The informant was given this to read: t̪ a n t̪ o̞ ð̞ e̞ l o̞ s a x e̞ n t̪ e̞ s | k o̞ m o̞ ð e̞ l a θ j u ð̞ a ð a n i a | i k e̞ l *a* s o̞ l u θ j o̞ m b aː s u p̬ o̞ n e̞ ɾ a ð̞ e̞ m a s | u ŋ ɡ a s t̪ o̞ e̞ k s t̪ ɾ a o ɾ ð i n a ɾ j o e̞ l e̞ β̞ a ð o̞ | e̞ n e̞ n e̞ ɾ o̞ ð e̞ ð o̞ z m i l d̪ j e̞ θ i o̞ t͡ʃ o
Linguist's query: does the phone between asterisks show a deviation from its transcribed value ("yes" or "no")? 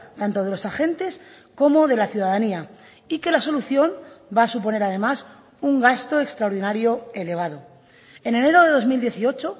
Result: no